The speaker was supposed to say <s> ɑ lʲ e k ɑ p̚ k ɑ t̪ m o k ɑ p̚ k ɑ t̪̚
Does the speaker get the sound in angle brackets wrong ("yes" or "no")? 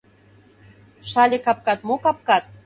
yes